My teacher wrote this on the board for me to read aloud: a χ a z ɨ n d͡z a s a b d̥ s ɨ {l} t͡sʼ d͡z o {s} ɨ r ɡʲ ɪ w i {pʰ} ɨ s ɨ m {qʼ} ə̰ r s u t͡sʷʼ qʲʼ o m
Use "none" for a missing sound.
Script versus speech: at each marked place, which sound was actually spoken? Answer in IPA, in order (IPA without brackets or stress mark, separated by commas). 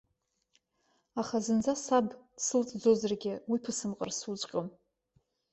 l, z, pʰ, qʼ